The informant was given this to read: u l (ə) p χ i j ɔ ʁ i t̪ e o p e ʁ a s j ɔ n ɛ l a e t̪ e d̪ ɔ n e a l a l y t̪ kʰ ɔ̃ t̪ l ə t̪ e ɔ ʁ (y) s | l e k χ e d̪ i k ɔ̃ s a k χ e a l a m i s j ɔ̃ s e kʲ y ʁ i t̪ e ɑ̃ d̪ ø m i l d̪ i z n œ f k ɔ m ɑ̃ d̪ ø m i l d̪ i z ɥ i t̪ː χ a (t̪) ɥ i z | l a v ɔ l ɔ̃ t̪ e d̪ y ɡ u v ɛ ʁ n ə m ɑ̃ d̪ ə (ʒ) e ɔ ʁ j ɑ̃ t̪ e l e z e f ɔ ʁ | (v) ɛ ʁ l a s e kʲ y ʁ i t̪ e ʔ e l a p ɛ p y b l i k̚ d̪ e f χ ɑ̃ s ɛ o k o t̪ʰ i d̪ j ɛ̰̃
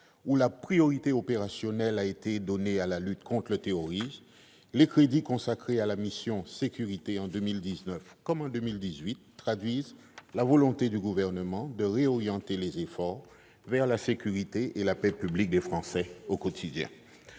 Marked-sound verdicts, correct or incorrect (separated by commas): incorrect, incorrect, incorrect, incorrect, correct